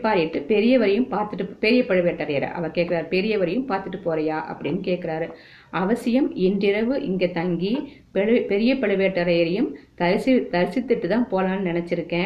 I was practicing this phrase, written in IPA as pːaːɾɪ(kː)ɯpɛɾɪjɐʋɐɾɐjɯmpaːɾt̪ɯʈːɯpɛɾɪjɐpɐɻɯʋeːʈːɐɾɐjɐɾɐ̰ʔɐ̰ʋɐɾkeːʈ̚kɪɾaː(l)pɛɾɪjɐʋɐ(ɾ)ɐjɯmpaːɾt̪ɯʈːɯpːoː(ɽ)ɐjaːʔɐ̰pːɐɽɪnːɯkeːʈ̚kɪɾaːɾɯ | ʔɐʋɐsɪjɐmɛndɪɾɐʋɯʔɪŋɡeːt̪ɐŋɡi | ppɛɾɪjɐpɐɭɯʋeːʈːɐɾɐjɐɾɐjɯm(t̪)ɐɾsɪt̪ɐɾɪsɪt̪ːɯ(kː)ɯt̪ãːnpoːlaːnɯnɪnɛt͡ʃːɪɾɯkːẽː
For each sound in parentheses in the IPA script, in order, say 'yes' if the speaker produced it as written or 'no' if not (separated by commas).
no, no, yes, no, yes, no